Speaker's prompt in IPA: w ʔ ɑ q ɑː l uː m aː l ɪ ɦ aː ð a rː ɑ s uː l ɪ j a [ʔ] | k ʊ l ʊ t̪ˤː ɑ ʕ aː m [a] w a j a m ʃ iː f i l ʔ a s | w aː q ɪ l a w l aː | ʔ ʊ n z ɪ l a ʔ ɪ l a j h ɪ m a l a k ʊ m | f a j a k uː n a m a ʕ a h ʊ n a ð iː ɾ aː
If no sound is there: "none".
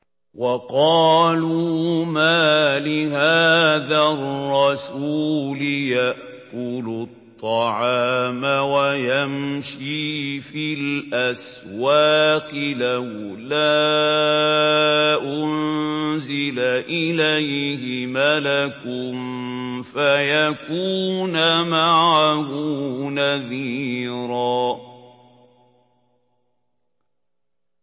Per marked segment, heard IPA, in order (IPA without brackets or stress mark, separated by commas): ʔ, a